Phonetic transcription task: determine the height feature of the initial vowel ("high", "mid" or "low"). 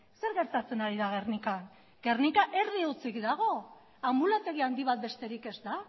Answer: mid